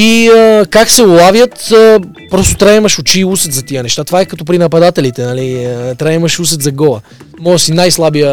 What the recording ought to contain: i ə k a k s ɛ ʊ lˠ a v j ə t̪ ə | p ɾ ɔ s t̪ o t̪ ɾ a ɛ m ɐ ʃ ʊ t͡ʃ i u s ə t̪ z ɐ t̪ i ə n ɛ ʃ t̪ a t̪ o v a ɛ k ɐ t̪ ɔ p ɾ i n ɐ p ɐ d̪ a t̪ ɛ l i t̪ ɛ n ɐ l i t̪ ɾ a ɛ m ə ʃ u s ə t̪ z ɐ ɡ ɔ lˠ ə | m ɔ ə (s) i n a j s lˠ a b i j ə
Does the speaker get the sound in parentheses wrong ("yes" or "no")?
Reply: no